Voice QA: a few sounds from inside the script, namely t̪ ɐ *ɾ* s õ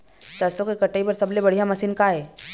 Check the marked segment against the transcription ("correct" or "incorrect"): correct